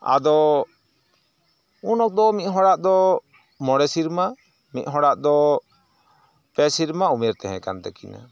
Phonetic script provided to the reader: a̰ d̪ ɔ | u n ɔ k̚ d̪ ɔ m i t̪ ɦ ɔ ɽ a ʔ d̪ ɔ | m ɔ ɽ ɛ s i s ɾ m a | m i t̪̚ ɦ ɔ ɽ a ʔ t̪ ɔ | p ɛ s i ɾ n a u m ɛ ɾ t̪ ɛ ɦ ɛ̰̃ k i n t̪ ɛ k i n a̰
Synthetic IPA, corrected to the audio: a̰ d̪ ɔ | u n ɔ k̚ d̪ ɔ m i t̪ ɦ ɔ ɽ a ʔ d̪ ɔ | m ɔ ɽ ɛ s i ɾ m a | m i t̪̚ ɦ ɔ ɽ a ʔ d̪ ɔ | p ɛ s i ɾ m a u m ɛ ɾ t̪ ɛ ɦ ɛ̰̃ k a n t̪ ɛ k i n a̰